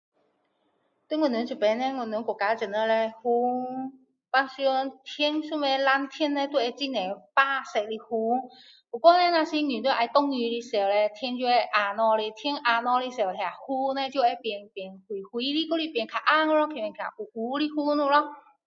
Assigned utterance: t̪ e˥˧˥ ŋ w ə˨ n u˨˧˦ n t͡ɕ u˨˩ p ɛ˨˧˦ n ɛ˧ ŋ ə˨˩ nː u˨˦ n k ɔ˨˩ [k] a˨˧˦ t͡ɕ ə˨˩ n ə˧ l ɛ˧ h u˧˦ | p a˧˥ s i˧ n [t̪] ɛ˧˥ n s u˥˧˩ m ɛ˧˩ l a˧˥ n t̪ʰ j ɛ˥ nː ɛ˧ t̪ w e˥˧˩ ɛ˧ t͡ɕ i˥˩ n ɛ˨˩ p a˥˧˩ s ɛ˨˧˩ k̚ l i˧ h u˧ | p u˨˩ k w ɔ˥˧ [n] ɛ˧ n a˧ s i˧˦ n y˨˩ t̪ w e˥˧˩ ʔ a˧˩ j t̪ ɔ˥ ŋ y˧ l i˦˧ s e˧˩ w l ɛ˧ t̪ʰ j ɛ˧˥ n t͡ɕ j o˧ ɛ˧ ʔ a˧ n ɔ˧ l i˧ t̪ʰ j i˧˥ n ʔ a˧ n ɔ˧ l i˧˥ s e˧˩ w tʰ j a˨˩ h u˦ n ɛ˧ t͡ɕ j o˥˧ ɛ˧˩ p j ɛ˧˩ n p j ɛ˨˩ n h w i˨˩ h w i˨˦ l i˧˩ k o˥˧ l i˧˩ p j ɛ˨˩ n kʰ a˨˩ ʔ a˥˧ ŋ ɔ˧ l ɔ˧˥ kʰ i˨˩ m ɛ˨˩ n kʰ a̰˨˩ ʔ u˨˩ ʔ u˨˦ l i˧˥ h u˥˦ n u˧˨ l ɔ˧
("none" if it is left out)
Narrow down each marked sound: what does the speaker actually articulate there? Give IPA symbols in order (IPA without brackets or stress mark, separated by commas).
k, t̪ʰ, n